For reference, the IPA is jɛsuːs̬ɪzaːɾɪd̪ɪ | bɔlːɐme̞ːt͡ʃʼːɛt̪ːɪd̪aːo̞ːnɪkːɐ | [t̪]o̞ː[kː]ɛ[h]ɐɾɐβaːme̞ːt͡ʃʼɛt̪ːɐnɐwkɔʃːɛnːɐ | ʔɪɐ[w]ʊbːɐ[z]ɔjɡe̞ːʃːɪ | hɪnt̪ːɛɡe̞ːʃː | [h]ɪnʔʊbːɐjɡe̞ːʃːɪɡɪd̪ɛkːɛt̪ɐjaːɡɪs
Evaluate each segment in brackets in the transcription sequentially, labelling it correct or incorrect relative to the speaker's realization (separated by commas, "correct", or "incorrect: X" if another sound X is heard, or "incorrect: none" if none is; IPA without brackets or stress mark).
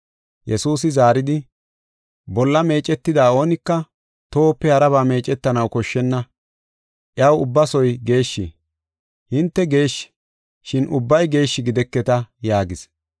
correct, incorrect: pː, correct, correct, incorrect: s, incorrect: ʃ